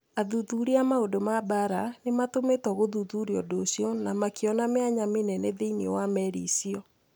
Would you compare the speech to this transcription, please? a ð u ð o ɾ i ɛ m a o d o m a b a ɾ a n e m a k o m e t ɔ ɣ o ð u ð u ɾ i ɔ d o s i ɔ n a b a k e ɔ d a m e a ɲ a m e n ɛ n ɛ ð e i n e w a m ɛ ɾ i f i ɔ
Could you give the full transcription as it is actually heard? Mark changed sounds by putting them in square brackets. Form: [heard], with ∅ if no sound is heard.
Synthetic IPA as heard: a ð u ð [u] ɾ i [a] m a o d o m a b a ɾ a n e m a [t] o m e t ɔ ɣ o ð u ð u ɾ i ɔ d o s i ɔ n a [m] a k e ɔ [n] a m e a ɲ a m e n ɛ n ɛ ð e i n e w a m ɛ ɾ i [s] i ɔ